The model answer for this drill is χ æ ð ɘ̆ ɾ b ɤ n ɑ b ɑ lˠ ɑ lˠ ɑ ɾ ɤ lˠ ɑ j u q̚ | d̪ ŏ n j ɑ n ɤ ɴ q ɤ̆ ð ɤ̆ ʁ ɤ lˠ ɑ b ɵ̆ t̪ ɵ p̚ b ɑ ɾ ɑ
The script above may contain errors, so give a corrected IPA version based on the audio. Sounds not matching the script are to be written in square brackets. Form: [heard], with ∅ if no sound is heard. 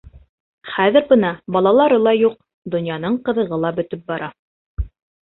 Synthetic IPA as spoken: χ æ ð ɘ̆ ɾ b ɤ n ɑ b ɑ lˠ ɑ lˠ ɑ ɾ ɤ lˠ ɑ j u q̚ | d̪ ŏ n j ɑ n ɤ ɴ q ɤ̆ ð ɤ̆ ʁ ɤ lˠ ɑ b ɵ̆ t̪ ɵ p̚ b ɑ ɾ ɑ